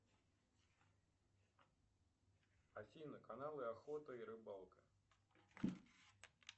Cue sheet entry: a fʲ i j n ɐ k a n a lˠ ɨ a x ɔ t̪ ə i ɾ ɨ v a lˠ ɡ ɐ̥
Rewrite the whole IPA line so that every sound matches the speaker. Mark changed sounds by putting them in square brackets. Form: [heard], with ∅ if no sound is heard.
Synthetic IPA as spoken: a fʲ i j n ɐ k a n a lˠ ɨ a x ɔ t̪ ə i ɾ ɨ [b] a lˠ [k] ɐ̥